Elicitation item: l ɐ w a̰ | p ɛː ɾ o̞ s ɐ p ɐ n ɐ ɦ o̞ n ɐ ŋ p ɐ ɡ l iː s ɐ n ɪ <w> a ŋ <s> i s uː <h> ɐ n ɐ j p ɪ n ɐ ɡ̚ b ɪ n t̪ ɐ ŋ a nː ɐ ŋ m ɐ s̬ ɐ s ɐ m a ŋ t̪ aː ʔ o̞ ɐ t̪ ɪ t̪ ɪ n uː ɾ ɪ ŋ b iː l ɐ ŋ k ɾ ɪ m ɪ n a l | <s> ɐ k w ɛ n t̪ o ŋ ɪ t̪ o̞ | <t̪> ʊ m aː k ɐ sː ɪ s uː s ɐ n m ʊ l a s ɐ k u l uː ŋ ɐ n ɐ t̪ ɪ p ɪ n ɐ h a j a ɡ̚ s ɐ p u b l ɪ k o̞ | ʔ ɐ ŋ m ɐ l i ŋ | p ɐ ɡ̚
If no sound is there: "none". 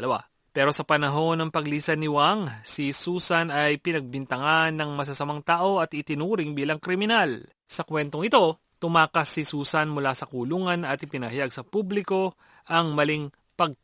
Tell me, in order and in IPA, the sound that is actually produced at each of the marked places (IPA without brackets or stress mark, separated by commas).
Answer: w, s, s, s, t̪